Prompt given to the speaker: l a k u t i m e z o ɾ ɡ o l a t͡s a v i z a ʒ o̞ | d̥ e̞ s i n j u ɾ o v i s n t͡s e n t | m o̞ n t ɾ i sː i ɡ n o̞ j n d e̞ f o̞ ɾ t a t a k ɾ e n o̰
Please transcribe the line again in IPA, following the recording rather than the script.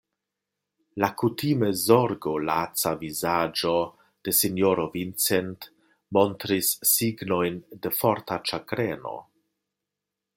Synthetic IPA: l a k u t i m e z o ɾ ɡ o l a t͡s a v i z a d͡ʒ o̞ | d̥ e̞ s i n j o ɾ o v i n t͡s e n t | m o̞ n t ɾ i sː i ɡ n o̞ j n d e̞ f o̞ ɾ t a t͡ʃ a k ɾ e n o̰